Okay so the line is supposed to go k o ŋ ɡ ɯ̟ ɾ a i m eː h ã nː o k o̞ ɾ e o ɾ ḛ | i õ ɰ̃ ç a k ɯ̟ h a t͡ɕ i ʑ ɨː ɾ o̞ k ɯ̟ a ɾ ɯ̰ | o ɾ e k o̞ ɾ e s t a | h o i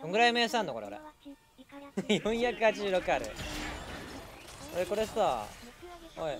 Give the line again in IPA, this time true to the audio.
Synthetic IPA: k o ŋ ɡ ɯ̟ ɾ a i m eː s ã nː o k o̞ ɾ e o ɾ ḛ | j õ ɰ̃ ç a k ɯ̟ h a t͡ɕ i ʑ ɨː ɾ o̞ k ɯ̟ a ɾ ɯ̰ | o ɾ e k o̞ ɾ e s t a | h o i